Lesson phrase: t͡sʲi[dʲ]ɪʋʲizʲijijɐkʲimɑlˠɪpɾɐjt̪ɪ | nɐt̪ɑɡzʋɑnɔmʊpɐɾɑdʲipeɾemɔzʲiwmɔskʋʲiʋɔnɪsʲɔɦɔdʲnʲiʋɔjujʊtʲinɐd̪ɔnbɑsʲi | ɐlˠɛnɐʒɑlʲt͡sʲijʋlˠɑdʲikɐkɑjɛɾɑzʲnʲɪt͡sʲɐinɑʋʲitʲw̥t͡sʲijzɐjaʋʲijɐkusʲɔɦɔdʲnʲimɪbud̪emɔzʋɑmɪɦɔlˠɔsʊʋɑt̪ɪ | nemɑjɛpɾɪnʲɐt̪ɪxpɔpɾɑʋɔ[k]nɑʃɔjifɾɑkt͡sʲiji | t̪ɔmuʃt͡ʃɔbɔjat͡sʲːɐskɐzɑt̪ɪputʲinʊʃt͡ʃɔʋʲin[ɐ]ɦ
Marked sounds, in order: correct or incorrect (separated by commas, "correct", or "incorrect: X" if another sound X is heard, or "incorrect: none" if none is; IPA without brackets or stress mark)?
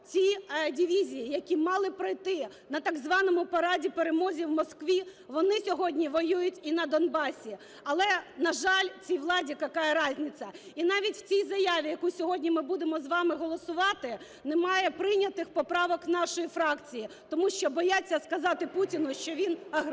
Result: correct, correct, correct